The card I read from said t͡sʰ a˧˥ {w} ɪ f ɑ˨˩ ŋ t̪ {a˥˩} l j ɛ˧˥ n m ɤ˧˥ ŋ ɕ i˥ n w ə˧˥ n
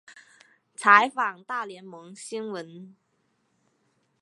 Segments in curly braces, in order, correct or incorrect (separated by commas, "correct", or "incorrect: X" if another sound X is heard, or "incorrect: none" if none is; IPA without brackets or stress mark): incorrect: none, correct